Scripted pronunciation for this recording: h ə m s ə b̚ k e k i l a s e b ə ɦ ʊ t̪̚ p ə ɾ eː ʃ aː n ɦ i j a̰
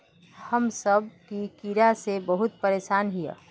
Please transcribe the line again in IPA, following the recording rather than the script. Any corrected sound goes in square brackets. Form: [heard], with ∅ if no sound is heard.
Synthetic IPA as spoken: h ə m s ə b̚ k [i] k i [ɾ] a s e b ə ɦ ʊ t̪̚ p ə ɾ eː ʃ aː n ɦ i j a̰